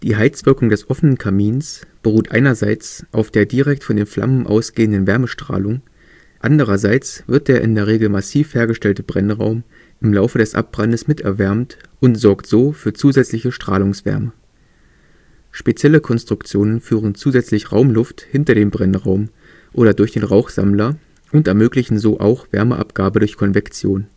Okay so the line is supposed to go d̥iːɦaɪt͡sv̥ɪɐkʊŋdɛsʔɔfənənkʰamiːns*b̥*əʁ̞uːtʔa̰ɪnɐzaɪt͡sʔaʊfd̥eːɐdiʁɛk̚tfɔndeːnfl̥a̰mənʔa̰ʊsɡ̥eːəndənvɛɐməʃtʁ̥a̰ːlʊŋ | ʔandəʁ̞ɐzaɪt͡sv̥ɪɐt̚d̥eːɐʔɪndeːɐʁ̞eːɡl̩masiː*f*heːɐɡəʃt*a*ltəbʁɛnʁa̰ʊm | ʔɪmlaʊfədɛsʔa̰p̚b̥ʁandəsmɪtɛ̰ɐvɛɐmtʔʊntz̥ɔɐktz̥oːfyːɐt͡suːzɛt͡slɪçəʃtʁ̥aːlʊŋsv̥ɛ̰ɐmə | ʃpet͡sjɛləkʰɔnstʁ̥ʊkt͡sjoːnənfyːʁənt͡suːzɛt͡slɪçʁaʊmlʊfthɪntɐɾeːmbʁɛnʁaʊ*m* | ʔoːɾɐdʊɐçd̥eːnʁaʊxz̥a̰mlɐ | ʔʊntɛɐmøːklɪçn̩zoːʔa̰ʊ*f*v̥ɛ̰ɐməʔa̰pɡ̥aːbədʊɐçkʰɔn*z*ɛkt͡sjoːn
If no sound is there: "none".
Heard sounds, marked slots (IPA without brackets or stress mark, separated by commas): b̥, f, ɛ, m, x, v